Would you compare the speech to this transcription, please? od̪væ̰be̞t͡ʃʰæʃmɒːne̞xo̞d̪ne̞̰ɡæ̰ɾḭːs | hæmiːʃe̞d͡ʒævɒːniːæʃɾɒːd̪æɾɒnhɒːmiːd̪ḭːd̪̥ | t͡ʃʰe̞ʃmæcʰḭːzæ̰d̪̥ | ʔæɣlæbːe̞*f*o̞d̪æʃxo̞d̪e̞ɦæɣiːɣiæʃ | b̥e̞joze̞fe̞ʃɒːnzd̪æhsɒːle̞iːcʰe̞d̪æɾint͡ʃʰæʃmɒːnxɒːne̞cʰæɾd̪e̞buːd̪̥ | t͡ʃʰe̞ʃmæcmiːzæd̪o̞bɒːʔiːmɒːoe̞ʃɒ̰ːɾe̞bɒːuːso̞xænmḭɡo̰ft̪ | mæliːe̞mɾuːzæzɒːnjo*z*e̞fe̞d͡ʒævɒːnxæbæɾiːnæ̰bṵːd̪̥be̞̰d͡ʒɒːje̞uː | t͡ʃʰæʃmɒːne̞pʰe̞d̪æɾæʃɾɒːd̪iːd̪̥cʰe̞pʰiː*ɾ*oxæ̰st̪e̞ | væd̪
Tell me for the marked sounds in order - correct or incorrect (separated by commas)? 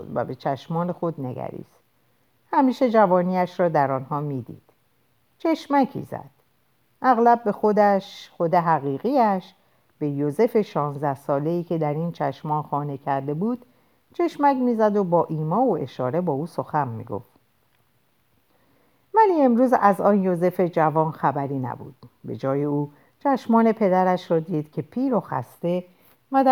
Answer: incorrect, correct, correct